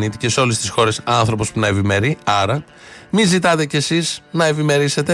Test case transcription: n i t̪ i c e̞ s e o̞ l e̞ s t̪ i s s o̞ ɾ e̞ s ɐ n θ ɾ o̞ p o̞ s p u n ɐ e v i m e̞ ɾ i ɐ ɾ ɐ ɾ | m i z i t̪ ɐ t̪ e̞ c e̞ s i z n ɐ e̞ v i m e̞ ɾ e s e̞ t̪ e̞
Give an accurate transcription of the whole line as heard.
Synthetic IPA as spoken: n i t̪ i c e̞ s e o̞ l e̞ s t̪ i s x o̞ ɾ e̞ s ɐ n θ ɾ o̞ p o̞ s p u n ɐ e v i m e̞ ɾ i ɐ ɾ ɐ | m i z i t̪ ɐ t̪ e̞ c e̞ s i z n ɐ e̞ v i m e̞ ɾ i s e̞ t̪ e̞